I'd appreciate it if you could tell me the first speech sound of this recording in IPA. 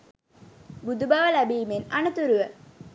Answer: b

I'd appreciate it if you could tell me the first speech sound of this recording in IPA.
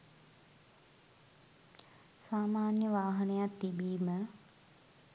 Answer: s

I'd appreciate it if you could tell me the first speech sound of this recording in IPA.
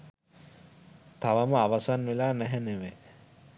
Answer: t̪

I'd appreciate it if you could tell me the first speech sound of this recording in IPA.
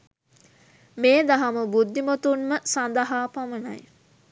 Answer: m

